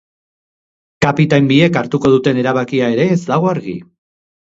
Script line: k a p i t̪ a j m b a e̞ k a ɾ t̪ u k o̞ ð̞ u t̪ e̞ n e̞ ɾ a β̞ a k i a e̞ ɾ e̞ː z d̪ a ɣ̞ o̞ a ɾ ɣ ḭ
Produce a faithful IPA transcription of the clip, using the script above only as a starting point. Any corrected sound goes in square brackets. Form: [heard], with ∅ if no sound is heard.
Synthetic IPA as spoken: k a p i t̪ a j m b [i] e̞ k a ɾ t̪ u k o̞ ð̞ u t̪ e̞ n e̞ ɾ a β̞ a k i a e̞ ɾ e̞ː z d̪ a ɣ̞ o̞ a ɾ ɣ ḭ